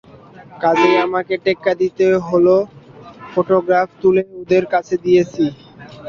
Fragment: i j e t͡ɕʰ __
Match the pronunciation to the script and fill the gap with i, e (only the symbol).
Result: i